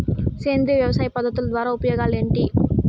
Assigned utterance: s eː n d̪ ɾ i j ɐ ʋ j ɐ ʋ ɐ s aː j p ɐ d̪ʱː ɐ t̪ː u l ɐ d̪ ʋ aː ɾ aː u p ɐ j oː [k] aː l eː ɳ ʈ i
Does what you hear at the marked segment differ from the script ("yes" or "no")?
yes